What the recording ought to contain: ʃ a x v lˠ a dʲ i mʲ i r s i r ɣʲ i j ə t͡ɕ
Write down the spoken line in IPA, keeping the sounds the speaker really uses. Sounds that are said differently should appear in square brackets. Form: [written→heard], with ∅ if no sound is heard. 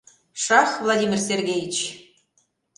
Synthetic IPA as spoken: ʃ [a→ɑ] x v lˠ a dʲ i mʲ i r s [i→e] r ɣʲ [i→e] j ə t͡ɕ